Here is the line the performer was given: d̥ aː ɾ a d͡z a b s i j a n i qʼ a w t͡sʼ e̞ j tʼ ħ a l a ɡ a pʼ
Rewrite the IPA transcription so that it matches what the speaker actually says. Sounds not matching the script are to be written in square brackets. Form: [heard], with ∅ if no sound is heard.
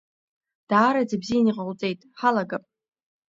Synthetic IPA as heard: d̥ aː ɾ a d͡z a b [z] i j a n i qʼ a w t͡sʼ e̞ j tʼ ħ a l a ɡ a pʼ